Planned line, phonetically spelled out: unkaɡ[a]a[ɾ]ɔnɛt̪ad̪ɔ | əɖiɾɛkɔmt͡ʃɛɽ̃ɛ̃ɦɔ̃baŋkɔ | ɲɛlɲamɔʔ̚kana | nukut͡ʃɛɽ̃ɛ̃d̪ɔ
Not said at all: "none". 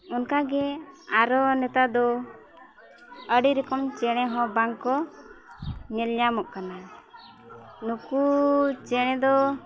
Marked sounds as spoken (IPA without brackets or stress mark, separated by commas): ɛ, ɾ